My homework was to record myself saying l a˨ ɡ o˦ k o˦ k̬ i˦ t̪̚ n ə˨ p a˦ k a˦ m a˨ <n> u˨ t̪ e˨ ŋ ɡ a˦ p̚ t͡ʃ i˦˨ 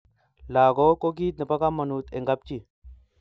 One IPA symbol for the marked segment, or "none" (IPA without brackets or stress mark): n